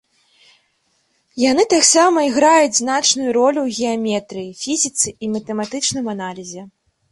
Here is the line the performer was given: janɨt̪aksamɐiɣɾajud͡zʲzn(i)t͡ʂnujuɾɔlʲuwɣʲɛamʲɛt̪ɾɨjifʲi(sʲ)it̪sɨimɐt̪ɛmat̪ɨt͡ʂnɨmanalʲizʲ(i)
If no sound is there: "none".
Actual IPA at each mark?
a, zʲ, ɛ

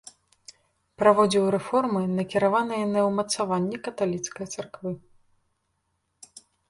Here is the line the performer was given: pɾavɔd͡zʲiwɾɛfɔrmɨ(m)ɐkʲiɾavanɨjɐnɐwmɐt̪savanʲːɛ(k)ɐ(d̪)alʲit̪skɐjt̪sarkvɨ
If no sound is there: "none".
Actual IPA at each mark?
n, k, t̪

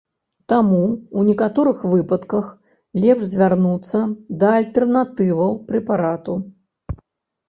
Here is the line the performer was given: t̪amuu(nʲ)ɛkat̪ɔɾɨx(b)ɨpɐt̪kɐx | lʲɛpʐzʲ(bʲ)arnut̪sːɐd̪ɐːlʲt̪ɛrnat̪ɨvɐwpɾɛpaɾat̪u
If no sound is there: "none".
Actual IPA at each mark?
nʲ, v, vʲ

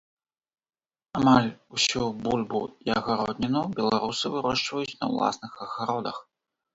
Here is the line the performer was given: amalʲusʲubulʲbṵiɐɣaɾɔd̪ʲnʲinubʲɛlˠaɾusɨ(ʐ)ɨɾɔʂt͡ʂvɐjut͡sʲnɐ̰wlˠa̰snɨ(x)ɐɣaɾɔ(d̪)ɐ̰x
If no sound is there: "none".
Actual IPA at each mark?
v, x, d̪

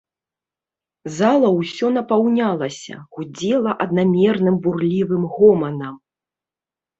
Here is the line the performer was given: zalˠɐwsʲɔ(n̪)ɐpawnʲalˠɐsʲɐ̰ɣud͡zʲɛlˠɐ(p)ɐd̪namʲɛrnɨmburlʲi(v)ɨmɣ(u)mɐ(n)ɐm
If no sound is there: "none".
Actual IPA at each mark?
n̪, ʔ, v, ɔ, n

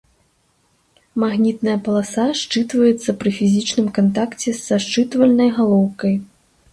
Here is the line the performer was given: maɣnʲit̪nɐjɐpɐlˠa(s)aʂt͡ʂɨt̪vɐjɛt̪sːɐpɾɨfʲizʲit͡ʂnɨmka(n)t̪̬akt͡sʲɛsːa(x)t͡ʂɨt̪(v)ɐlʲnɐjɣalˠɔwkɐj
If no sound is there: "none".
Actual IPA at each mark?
s, n, ʂ, v

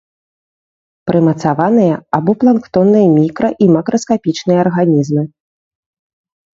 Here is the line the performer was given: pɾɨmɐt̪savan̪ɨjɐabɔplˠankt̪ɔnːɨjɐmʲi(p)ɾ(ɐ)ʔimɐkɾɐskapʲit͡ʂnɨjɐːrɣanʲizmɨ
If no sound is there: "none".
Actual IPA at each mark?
k, ɐ

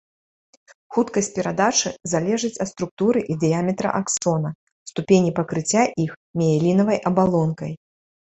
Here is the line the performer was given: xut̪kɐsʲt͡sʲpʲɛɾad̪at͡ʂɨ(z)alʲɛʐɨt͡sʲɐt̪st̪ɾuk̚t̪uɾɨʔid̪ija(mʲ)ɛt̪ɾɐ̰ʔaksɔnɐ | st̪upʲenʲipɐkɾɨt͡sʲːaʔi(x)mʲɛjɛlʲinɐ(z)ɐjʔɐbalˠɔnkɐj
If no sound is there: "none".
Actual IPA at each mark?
z, mʲ, x, v

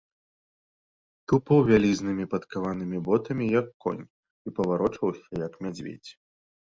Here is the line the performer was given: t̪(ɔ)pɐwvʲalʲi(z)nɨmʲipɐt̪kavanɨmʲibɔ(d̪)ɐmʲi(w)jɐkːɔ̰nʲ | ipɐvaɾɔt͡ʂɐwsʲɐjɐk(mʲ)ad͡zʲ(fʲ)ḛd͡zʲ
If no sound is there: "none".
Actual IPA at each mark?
u, z, t̪, none, mʲ, vʲ

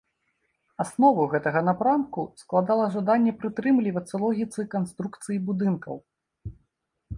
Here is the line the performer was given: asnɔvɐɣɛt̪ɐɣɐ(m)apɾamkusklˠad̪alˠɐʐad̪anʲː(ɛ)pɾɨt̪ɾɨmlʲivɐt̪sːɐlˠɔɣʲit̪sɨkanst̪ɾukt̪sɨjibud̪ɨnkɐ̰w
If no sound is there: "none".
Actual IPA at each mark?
n, ɛ

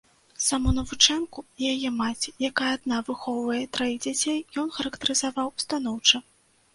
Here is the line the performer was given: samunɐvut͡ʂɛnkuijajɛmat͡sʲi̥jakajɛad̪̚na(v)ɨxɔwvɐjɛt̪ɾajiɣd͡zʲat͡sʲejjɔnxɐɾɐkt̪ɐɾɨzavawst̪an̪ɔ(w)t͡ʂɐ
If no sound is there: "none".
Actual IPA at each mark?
v, w

